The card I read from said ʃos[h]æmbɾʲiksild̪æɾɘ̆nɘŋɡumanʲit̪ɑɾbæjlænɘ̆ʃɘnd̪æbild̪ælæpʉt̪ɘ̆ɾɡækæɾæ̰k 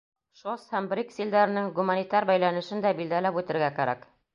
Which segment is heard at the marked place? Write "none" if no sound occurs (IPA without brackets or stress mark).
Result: h